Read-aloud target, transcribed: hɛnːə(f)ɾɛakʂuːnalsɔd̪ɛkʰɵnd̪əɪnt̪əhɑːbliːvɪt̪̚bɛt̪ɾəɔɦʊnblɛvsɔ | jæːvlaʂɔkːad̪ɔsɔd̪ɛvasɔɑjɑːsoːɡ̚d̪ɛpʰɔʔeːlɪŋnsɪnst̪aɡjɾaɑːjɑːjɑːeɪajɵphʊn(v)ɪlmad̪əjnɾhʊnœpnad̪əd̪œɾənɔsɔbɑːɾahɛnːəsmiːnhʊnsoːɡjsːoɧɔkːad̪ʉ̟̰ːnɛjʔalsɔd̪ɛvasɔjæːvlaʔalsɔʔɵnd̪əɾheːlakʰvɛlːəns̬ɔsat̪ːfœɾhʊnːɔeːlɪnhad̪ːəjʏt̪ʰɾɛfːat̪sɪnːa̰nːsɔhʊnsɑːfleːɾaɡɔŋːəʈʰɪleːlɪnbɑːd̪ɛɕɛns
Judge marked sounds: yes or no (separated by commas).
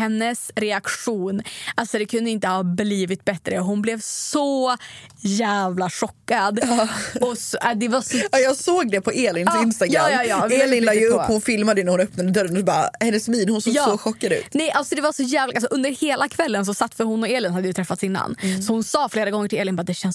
no, no